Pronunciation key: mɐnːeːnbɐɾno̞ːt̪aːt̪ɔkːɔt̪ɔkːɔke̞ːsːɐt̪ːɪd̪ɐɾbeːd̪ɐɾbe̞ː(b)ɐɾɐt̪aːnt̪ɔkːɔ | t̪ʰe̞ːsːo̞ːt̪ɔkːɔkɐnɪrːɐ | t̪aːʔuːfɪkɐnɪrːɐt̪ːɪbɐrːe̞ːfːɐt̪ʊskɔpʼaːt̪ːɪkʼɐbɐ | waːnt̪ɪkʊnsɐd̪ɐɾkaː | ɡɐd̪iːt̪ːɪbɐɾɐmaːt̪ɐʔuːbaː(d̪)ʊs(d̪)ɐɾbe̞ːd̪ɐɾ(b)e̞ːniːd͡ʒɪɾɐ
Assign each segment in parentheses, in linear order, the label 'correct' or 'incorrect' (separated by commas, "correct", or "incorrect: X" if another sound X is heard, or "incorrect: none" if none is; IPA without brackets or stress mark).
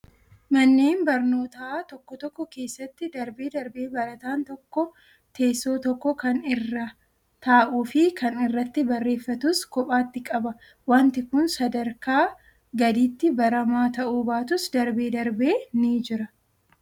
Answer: correct, incorrect: t̪, correct, correct